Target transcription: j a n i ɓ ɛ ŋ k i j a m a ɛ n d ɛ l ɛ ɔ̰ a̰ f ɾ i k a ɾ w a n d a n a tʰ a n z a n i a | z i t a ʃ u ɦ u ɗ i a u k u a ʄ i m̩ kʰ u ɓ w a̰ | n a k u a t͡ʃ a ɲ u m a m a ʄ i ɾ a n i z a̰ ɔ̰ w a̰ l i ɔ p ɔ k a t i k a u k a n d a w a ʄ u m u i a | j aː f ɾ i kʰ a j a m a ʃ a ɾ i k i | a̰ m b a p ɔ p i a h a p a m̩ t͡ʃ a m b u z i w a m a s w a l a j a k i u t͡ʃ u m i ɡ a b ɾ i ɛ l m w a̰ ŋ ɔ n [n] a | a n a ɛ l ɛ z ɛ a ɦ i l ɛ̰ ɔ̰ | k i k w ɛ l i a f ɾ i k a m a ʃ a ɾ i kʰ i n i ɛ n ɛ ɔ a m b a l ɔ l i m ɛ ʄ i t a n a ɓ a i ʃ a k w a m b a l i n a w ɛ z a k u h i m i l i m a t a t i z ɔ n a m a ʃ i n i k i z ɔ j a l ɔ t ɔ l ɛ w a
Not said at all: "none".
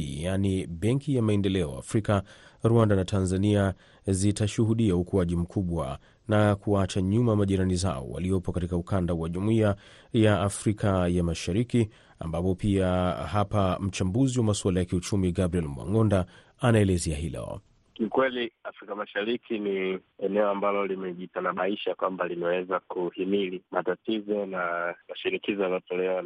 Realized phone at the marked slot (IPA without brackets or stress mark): d